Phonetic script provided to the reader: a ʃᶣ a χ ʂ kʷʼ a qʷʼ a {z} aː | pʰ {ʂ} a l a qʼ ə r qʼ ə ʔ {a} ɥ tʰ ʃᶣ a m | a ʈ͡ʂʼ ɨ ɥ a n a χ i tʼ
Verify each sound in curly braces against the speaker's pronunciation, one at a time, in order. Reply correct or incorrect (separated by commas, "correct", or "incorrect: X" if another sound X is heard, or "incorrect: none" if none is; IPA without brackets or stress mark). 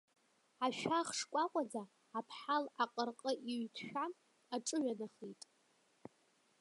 incorrect: d͡z, incorrect: ħ, incorrect: i